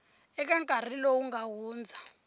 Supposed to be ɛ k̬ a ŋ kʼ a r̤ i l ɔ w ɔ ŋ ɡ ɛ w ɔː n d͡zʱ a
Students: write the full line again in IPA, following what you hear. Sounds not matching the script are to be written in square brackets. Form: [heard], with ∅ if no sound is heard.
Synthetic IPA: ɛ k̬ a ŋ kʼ a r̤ i l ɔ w [u] ŋ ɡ [a] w [uː] n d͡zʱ a